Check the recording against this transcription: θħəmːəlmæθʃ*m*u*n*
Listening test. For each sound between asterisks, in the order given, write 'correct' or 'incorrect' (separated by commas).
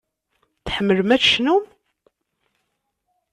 incorrect, incorrect